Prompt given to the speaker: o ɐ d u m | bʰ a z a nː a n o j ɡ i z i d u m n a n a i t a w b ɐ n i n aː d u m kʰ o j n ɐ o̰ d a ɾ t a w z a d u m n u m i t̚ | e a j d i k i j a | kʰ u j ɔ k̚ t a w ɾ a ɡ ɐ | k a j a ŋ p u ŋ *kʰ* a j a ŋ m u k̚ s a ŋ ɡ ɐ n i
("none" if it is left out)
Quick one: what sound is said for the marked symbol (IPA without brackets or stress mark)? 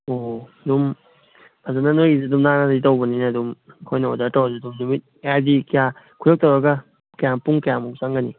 k